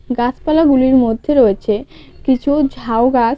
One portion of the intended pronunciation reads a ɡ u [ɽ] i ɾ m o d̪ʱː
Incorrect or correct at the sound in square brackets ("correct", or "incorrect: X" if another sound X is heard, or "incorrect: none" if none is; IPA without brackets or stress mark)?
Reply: incorrect: l